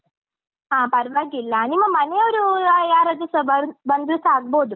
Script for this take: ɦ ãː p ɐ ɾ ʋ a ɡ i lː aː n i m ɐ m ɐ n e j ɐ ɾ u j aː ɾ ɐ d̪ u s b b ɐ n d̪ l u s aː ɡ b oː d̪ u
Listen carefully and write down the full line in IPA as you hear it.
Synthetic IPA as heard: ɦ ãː p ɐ ɾ ʋ a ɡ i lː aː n i m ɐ m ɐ n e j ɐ ɾ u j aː ɾ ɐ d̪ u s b b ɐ n d̪ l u s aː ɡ b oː d̪ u